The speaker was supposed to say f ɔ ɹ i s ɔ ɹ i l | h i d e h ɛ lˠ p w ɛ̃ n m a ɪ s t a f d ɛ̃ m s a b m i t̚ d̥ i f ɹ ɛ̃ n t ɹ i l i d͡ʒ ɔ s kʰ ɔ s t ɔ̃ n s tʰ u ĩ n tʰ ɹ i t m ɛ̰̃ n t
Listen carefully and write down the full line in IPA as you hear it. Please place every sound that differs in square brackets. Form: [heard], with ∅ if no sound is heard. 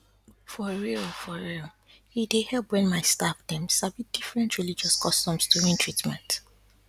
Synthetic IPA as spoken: f ɔ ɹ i [f] ɔ ɹ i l | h i d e h ɛ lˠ p w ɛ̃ n m a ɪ s t a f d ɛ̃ m s a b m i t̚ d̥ i f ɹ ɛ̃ n t ɹ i l i d͡ʒ ɔ s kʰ ɔ s t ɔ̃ [m] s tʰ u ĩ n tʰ ɹ i t m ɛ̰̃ n t